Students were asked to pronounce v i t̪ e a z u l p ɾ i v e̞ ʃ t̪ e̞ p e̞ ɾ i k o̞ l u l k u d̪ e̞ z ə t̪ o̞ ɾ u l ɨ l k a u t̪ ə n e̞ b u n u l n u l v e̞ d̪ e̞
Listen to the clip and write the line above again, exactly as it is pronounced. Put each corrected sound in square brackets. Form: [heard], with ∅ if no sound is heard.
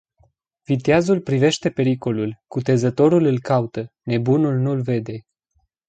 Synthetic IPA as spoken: v i t̪ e a z u l p ɾ i v e̞ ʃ t̪ e̞ p e̞ ɾ i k o̞ l u l k u [t̪] e̞ z ə t̪ o̞ ɾ u l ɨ l k a u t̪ ə n e̞ b u n u l n u l v e̞ d̪ e̞